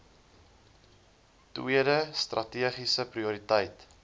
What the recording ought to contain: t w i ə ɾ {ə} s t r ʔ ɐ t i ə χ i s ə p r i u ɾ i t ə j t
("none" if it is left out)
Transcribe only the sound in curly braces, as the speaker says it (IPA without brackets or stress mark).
ə